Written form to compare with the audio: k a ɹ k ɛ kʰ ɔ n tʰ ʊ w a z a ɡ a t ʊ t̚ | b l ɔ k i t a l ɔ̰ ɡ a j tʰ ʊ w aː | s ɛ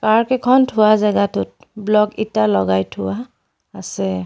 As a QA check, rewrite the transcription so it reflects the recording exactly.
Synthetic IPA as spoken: k a ɹ k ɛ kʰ ɔ n tʰ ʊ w a z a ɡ a t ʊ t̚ | b l ɔ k i t a l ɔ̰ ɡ a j tʰ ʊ w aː | s ɛ